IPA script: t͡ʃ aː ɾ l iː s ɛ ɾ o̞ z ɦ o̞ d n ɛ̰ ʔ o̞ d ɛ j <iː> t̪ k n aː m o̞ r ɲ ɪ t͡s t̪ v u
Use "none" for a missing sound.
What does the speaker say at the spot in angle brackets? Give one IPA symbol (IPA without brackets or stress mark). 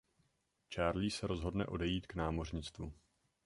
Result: iː